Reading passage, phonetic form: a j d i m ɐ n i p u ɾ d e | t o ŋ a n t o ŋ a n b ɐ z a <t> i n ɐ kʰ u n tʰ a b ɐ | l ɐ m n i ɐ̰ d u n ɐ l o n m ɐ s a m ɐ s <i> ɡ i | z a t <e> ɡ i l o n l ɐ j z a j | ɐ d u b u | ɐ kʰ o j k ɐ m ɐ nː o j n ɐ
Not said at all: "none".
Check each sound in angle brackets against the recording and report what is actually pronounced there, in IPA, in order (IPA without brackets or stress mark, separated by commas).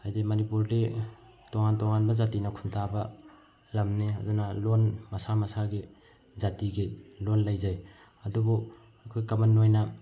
t, a, i